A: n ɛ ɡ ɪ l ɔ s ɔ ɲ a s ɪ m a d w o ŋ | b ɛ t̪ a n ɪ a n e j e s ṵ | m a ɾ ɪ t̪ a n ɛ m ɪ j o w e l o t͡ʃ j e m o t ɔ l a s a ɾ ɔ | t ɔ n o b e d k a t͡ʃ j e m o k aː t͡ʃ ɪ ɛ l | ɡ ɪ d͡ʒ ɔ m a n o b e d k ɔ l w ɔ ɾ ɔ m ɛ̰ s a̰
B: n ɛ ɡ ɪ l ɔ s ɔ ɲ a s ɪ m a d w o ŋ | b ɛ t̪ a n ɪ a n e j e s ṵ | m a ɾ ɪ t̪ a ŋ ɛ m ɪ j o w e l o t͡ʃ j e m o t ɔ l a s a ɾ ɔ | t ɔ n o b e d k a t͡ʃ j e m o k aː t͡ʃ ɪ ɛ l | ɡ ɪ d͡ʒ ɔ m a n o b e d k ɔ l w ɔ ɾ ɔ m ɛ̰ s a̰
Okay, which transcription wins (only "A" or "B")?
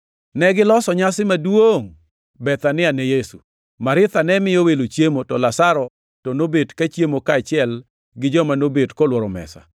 A